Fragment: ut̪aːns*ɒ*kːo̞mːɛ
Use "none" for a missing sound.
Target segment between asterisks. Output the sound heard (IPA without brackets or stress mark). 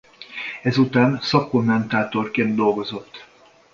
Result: ɒ